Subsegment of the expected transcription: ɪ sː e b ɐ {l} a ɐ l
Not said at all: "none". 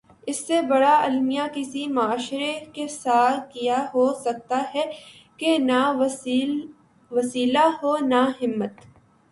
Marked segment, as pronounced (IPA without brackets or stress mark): ɽ